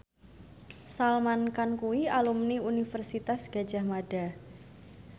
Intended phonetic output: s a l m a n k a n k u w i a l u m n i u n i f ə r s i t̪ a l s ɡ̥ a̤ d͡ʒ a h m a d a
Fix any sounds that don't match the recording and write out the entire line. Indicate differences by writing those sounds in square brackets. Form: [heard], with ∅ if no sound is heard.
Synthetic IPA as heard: s a l m a n k a n k u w i a l u m n i u n i f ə r s i t̪ a [∅] s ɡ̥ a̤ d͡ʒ a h m a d a